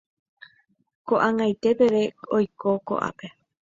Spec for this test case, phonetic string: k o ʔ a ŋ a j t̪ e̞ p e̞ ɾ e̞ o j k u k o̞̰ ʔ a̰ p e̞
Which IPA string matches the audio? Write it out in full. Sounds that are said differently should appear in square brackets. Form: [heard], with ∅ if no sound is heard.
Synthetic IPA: k o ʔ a ŋ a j t̪ e̞ p e̞ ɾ e̞ o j k [o] k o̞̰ ʔ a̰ p e̞

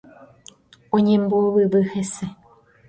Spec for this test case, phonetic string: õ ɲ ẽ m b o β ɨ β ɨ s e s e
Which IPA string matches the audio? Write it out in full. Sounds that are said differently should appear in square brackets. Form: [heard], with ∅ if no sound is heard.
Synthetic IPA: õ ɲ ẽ m b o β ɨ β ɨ [h] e s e

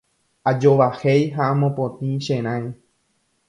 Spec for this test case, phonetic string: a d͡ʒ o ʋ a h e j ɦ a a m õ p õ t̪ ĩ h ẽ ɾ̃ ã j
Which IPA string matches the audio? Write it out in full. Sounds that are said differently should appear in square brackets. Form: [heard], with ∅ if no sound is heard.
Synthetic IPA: a d͡ʒ o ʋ a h e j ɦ a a m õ p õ t̪ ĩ [ʃ] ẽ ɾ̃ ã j

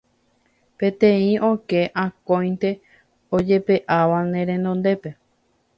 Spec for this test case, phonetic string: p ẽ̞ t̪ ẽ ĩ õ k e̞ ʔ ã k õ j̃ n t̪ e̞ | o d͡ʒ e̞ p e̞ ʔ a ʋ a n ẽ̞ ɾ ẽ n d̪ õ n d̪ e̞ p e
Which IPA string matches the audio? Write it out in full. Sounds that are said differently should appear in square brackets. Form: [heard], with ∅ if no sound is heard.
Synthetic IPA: p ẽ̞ t̪ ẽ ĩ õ k e̞ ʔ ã k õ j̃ n t̪ e̞ | o d͡ʒ e̞ p e̞ ʔ a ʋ a n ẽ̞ ɾ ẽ n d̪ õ n d̪ e̞ p e

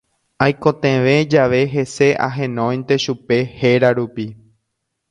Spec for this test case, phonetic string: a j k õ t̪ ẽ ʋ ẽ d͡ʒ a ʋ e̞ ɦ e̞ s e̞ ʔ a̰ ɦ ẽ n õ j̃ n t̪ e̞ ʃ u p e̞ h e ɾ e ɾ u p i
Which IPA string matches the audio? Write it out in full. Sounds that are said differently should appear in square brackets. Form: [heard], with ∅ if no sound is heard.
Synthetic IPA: a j k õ t̪ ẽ ʋ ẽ d͡ʒ a ʋ e̞ ɦ e̞ s e̞ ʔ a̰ ɦ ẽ n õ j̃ n t̪ e̞ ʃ u p e̞ h e ɾ [a] ɾ u p i

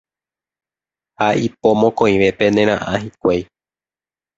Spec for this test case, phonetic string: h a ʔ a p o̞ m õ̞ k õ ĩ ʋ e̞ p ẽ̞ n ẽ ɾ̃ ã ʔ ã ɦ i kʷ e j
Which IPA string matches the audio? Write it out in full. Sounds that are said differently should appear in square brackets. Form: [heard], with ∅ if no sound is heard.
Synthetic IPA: h a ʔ [i] p o̞ m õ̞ k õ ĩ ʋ e̞ p [e̞] n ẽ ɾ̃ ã ʔ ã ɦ i kʷ e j

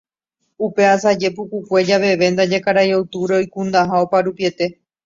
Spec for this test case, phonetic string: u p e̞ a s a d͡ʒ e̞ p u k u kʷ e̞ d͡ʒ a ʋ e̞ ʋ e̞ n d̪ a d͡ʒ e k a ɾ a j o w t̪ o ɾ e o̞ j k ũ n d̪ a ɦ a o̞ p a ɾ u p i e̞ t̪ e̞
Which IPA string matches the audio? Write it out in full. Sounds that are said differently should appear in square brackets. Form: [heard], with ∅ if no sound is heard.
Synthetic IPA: u p e̞ a s a d͡ʒ e̞ p u k u kʷ e̞ d͡ʒ a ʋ e̞ ʋ e̞ n d̪ a d͡ʒ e k a ɾ a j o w t̪ [u] ɾ e o̞ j k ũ n d̪ a ɦ a o̞ p a ɾ u p i e̞ t̪ e̞

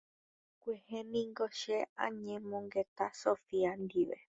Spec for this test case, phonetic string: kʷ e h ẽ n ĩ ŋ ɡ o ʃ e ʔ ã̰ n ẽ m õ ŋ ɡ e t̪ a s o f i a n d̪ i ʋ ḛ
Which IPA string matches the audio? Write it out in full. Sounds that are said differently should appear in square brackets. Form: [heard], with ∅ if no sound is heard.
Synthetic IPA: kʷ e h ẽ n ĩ ŋ ɡ o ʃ e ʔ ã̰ [ɲ] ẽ m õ ŋ ɡ e t̪ a s o f i a n d̪ i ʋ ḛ

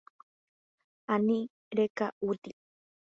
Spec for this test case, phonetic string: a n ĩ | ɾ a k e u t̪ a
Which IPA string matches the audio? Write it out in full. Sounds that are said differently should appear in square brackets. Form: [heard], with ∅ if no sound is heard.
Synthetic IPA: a n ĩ | ɾ [e] k [a] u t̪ [i]

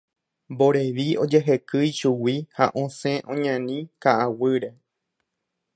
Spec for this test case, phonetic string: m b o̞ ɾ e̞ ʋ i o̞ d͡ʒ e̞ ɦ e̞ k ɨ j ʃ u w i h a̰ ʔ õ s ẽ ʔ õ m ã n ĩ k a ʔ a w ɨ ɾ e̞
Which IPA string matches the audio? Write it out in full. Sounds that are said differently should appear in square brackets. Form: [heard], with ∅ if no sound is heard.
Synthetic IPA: m b o̞ ɾ e̞ ʋ i o̞ d͡ʒ e̞ ɦ e̞ k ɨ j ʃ u w i h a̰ ʔ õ s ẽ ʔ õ [ɲ] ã n ĩ k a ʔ a w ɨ ɾ e̞

